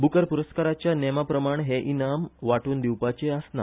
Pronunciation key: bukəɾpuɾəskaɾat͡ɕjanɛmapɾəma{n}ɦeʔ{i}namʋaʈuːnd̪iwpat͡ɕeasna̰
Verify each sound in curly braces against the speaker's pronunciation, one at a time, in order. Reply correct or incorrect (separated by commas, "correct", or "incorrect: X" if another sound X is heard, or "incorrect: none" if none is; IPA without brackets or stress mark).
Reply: incorrect: ɳ, correct